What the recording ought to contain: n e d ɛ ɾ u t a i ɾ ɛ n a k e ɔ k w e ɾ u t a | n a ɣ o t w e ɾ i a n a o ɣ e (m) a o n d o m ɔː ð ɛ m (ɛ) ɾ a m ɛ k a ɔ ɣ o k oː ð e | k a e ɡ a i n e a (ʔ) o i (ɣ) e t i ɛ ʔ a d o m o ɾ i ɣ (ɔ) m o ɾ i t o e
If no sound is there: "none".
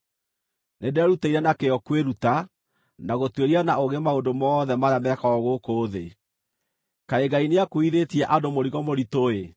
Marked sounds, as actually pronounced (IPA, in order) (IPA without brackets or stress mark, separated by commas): m, a, k, ð, ɔ